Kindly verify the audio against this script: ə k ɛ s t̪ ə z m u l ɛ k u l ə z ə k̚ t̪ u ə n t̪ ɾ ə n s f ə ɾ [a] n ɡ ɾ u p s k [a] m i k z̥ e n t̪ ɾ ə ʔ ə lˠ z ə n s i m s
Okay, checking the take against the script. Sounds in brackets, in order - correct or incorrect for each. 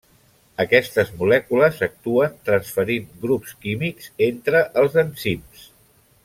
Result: incorrect: i, incorrect: i

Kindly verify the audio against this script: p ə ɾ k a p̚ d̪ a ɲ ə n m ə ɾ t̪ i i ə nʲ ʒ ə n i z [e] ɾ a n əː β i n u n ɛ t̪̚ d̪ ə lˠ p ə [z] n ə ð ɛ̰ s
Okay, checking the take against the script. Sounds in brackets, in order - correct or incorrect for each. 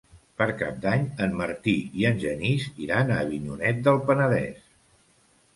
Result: incorrect: i, incorrect: none

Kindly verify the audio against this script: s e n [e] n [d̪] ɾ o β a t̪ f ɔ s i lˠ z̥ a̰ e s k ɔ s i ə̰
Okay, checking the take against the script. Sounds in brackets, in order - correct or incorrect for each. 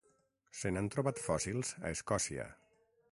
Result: incorrect: a, incorrect: t̪

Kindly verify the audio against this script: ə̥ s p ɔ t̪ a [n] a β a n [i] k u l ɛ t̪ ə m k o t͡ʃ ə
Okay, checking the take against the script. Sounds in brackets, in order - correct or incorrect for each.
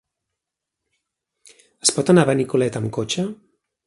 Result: correct, correct

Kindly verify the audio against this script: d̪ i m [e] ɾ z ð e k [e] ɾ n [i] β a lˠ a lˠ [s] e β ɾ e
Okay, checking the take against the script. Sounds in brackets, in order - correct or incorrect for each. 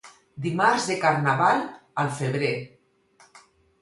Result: incorrect: a, incorrect: a, incorrect: a, incorrect: f

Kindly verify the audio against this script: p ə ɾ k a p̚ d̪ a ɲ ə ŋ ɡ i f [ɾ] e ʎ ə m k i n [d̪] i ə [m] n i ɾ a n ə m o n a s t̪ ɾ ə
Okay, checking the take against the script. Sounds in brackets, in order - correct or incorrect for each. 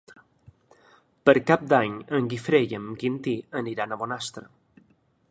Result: correct, incorrect: t̪, incorrect: none

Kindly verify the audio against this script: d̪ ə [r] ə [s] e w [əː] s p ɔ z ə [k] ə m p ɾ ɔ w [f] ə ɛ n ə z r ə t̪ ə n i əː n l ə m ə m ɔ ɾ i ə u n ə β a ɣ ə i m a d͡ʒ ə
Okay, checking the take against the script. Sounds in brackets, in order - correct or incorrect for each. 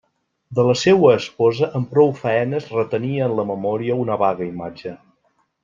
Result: incorrect: l, correct, correct, incorrect: ʔ, correct

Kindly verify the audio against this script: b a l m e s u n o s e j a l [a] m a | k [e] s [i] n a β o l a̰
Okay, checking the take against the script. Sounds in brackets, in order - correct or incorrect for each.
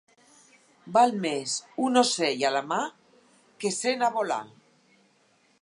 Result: correct, correct, incorrect: e

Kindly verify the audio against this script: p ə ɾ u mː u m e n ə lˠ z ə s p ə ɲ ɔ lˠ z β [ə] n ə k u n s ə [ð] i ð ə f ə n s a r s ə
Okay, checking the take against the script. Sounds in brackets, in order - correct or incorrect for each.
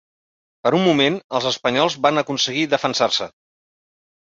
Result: incorrect: a, incorrect: ɣ

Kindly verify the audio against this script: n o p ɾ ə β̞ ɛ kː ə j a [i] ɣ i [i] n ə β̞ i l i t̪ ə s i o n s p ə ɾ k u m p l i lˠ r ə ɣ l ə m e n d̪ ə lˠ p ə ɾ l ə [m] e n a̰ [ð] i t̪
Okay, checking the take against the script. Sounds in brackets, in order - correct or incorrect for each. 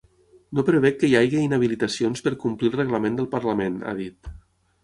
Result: incorrect: j, correct, correct, correct

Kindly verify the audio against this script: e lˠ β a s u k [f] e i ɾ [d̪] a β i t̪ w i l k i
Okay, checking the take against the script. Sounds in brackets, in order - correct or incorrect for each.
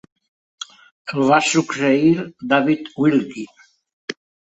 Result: incorrect: s, correct

